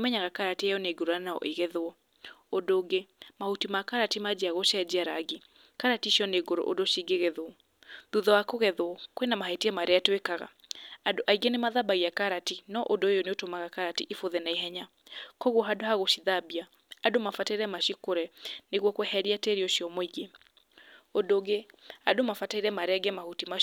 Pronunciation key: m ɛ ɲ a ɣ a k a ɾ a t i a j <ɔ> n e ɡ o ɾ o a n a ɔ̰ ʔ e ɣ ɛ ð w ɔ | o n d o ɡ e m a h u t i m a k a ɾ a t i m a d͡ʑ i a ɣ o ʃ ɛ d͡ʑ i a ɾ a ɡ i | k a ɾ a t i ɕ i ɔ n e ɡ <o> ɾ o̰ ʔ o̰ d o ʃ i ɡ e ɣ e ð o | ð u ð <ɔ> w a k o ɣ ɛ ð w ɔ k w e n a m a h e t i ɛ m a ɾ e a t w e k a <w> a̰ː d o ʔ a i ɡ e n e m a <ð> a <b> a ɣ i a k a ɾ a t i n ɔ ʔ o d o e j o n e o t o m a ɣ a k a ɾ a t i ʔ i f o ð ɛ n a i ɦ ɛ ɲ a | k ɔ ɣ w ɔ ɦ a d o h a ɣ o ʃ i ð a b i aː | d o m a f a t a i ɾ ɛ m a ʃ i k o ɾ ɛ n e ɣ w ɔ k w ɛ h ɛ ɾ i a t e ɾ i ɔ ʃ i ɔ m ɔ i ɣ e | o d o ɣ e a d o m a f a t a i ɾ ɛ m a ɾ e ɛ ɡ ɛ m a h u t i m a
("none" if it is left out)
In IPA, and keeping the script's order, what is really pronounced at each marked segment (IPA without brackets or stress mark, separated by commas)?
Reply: ɔ, o, ɔ, ɣ, ð, b